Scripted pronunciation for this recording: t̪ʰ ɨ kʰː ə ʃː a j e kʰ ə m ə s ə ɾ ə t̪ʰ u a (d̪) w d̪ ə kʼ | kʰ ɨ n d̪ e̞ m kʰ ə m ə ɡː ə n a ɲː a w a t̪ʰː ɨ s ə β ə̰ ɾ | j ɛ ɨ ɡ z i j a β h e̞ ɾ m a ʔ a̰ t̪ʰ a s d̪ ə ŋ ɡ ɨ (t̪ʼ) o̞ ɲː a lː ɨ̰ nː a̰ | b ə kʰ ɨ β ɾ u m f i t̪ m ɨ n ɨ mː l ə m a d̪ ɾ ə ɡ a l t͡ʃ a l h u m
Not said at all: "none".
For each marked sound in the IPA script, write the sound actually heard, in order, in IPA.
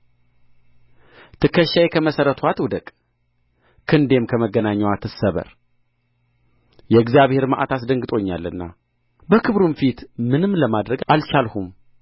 t̪, t̪ʼ

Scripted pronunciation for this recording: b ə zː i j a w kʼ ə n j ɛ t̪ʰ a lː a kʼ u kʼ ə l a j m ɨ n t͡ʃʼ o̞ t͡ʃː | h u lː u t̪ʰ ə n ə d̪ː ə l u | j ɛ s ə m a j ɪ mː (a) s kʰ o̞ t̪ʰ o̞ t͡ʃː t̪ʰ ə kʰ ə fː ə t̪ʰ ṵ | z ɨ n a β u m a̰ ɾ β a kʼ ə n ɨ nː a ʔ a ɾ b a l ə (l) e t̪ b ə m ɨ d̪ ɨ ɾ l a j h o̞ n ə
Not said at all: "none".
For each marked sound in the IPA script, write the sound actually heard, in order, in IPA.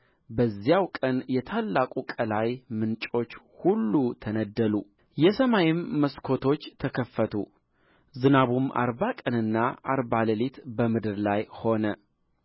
ə, l

